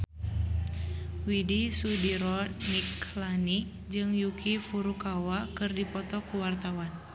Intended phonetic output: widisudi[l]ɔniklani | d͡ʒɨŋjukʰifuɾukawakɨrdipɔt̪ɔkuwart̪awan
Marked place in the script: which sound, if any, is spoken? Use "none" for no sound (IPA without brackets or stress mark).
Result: ɾ